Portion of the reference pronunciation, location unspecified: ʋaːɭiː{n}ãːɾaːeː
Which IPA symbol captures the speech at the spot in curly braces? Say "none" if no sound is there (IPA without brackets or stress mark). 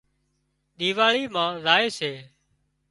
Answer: m